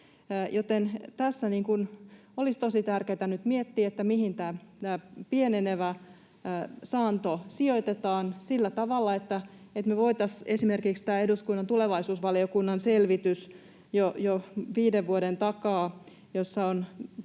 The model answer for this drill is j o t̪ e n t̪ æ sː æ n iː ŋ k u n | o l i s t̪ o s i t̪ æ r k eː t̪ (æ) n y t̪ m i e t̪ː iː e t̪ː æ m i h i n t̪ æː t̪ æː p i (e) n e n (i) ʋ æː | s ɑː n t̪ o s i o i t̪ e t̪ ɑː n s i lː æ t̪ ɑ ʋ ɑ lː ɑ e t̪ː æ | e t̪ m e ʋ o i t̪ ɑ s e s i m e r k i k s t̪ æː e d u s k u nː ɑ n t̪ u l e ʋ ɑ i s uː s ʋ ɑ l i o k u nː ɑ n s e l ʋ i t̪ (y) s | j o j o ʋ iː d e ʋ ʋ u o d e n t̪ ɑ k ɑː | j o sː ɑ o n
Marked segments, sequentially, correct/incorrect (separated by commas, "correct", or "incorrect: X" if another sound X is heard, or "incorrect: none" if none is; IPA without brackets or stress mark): correct, correct, incorrect: e, correct